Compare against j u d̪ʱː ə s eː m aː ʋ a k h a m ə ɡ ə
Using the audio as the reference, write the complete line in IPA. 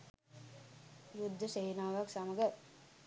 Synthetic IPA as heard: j u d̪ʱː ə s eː n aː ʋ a k s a m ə ɡ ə